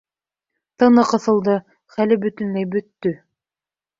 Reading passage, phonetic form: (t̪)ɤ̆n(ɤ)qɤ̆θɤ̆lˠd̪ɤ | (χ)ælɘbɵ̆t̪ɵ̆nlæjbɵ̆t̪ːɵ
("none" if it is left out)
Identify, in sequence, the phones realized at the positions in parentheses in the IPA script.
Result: t̪, ɤ, χ

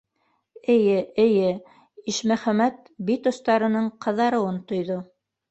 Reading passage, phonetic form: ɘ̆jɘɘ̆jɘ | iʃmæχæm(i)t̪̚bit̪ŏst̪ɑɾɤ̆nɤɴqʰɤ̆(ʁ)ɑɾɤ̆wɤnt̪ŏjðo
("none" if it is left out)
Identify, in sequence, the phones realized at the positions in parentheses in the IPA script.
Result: æ, ð

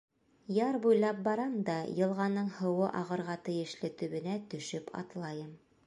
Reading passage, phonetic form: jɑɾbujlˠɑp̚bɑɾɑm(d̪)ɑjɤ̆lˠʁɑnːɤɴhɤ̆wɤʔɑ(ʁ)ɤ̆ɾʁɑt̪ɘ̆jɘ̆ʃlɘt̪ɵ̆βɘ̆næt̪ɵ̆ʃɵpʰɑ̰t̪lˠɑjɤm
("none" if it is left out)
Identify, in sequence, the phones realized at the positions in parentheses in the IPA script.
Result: d̪, ʁ

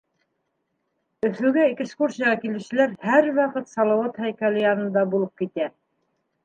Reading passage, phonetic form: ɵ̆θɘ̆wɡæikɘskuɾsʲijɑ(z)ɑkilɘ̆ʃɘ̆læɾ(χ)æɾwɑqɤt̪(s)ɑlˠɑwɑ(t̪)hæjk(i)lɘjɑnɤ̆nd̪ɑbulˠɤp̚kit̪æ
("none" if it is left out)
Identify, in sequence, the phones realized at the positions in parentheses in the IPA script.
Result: ʁ, h, s, t̪, æ

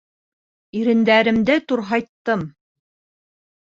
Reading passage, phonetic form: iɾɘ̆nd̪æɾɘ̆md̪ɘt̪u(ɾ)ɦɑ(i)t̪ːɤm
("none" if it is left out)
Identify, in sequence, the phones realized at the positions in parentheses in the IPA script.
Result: ɾ, j

